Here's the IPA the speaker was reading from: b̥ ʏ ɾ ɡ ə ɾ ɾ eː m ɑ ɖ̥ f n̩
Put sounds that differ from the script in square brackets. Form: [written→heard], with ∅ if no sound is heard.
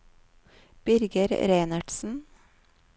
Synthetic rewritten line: b̥ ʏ ɾ ɡ ə ɾ ɾ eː [m→n] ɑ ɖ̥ [f→s] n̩